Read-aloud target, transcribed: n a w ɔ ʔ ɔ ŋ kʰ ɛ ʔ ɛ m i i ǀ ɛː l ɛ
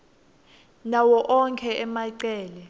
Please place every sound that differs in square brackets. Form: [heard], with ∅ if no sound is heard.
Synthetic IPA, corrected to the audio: n a w ɔ ʔ ɔ ŋ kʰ ɛ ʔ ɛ m [a] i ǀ ɛː l ɛ

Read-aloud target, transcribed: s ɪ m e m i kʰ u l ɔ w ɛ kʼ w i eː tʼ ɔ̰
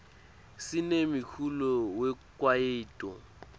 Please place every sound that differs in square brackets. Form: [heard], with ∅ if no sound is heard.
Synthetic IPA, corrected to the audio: s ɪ [n] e m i kʰ u l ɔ w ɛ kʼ w [a] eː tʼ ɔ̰

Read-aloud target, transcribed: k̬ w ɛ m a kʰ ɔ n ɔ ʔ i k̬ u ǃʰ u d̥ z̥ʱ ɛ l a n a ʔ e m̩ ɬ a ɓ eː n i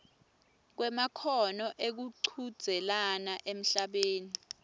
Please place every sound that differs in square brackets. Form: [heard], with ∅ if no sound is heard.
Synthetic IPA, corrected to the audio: k̬ w ɛ m a kʰ ɔ n ɔ ʔ [e] k̬ u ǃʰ u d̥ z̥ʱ ɛ l a n a ʔ e m̩ ɬ a ɓ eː n i

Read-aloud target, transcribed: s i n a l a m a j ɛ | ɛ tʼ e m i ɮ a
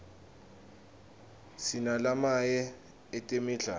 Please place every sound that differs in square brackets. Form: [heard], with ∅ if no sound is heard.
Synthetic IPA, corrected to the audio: s i n a l a m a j ɛ | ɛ tʼ e m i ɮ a

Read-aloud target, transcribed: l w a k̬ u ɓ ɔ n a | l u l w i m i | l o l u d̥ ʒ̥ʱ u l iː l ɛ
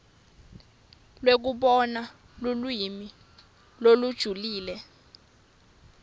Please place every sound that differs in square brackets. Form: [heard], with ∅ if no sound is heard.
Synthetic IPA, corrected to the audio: l w [e] k̬ u ɓ ɔ n a | l u l w i m i | l o l u d̥ ʒ̥ʱ u l iː l ɛ

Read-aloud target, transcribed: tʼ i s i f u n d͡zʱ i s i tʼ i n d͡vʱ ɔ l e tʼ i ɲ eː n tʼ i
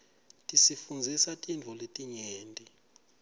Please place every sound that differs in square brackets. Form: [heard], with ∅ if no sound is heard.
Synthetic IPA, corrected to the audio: tʼ i s i f u n d͡zʱ i s [a] tʼ i n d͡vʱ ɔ l e tʼ i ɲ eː n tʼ i

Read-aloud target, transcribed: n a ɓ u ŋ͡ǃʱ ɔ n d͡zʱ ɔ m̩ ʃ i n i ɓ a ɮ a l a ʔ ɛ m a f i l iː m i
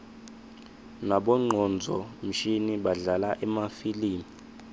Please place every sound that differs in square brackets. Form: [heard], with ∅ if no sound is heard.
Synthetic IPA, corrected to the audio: n a ɓ [ɔ] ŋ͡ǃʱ ɔ n d͡zʱ ɔ m̩ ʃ i n i ɓ a ɮ a l a ʔ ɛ m a f i l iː m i

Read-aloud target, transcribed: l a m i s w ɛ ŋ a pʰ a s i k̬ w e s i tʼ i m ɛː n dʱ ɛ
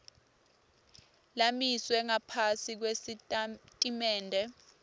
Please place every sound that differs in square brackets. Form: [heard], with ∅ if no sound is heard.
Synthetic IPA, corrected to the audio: l a m i s w ɛ ŋ a pʰ a s i k̬ w e s i tʼ i m ɛː n dʱ ɛ

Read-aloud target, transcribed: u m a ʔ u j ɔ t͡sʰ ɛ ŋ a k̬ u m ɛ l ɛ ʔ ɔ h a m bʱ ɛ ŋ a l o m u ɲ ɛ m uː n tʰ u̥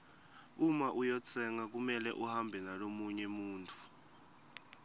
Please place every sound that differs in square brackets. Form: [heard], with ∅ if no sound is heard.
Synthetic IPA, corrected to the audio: u m a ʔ u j ɔ t͡sʰ ɛ ŋ a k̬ u m ɛ l ɛ ʔ [u] h a m bʱ ɛ [n] a l o m u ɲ ɛ m uː n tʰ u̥

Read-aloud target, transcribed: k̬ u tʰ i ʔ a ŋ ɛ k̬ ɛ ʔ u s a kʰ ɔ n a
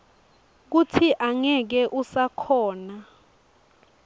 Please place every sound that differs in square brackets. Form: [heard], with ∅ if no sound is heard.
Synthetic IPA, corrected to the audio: k̬ u tʰ i ʔ a ŋ ɛ k̬ ɛ ʔ u s a kʰ [ɔː] n a

